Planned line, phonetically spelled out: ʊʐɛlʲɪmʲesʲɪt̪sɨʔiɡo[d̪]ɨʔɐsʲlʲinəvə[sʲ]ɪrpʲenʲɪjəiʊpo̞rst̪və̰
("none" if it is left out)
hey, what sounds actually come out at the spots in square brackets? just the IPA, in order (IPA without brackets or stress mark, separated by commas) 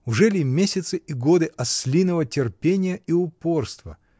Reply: d̪, tʲ